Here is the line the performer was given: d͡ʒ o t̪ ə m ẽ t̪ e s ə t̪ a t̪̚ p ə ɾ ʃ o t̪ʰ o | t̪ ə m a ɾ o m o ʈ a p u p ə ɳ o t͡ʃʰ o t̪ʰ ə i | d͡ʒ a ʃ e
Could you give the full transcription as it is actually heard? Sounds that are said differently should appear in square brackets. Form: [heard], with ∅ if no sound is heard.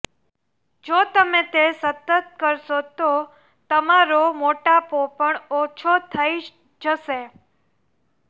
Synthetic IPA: d͡ʒ o t̪ ə m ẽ t̪ e s ə t̪ [ə] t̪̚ [k] ə ɾ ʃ o [t̪] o | t̪ ə m a ɾ o m o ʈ a p [o] p ə ɳ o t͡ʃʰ o t̪ʰ ə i | d͡ʒ [ə] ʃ e